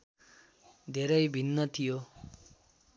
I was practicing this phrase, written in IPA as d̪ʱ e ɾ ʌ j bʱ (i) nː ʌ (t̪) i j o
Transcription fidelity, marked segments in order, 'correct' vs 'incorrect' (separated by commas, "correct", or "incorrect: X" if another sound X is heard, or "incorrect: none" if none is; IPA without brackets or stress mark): correct, incorrect: t̪ʰ